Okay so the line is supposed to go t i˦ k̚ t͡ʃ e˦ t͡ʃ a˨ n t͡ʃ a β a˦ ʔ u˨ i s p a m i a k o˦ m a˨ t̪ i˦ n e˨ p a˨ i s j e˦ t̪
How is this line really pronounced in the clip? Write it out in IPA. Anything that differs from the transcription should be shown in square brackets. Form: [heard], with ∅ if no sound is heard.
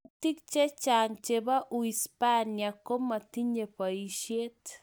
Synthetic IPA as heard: t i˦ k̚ t͡ʃ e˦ t͡ʃ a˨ [ŋ] t͡ʃ [e] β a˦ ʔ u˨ i s p a [n] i a k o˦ m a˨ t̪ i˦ [ɲ] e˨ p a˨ i [ʃ] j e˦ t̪